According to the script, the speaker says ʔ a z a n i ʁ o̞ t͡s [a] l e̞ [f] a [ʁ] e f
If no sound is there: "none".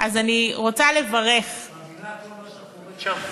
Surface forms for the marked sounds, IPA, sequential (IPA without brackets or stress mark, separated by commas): a, v, ʁ